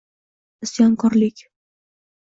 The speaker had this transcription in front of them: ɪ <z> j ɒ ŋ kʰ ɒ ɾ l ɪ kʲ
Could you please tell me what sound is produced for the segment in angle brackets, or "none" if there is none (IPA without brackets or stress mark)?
s